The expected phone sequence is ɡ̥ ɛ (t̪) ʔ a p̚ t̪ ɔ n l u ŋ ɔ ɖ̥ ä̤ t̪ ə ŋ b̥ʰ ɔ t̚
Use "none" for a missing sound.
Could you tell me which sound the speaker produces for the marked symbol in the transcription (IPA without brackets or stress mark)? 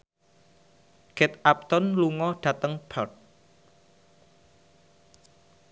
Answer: t̪